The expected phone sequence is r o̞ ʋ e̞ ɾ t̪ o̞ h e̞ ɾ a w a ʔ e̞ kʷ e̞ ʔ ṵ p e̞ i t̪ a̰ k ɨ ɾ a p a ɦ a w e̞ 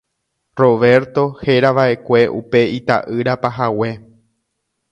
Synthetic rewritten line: r o̞ ʋ e̞ ɾ t̪ o̞ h e̞ ɾ a ʋ a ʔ e̞ kʷ e̞ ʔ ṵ p e̞ i t̪ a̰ ʔ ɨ ɾ a p a ɦ a w e̞